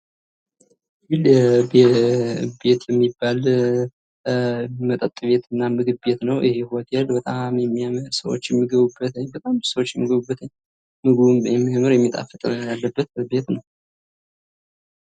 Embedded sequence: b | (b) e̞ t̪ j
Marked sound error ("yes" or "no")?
no